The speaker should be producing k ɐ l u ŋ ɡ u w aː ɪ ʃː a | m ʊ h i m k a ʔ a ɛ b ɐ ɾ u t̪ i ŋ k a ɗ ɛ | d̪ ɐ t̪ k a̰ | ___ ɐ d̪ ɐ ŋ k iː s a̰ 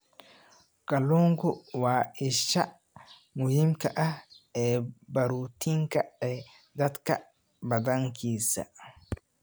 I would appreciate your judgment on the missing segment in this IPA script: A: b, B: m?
A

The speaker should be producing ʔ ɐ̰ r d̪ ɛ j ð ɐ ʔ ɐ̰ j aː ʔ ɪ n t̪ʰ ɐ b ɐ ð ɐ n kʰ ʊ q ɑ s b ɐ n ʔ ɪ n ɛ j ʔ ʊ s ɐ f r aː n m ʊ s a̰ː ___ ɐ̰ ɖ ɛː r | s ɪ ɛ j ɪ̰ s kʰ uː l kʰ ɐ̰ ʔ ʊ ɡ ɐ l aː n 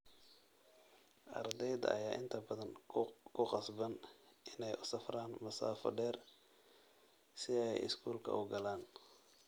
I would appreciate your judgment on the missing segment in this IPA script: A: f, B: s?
A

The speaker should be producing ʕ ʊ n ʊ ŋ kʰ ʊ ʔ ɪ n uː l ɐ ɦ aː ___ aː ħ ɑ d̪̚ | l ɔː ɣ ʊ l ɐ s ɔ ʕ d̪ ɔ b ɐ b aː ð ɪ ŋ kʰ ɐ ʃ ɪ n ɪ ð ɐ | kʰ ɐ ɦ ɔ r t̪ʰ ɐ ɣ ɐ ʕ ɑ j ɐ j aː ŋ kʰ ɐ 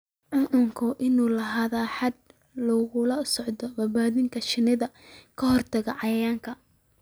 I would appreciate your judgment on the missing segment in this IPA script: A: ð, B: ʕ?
A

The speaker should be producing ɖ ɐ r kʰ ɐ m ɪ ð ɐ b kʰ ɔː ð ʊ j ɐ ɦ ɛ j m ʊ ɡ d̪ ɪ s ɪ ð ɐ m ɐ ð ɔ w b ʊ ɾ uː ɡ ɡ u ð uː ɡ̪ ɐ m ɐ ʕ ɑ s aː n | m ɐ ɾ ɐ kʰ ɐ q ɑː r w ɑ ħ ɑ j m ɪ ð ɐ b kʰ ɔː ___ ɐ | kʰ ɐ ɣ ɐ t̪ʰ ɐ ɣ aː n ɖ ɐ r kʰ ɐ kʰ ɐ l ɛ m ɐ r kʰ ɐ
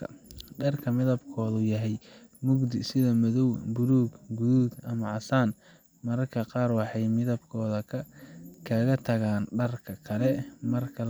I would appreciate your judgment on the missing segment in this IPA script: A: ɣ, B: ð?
B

